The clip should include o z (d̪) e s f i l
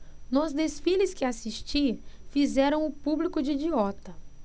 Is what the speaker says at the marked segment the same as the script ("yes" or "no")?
yes